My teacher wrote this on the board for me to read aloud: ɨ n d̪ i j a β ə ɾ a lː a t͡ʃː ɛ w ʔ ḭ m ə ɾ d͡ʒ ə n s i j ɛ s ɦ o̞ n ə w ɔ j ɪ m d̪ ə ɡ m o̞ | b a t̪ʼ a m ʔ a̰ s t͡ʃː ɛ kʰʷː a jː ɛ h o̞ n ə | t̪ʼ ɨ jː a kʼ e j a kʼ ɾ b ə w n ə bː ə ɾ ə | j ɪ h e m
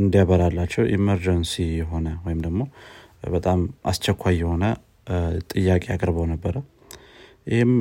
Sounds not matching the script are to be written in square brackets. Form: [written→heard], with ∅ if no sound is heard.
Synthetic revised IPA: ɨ n d̪ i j a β ə ɾ a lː a t͡ʃː ɛ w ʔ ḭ m ə ɾ d͡ʒ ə n s i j ɛ [s→∅] ɦ o̞ n ə w ɔ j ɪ m d̪ ə ɡ m o̞ | b [a→ə] t̪ʼ a m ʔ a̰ s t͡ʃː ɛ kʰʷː a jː ɛ h o̞ n ə | t̪ʼ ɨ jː a kʼ e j a kʼ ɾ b ə w n ə bː ə ɾ ə | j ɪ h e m